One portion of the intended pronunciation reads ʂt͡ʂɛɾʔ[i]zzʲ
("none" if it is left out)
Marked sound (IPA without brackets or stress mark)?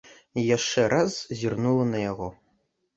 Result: a